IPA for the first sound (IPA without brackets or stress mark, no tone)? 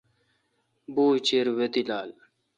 b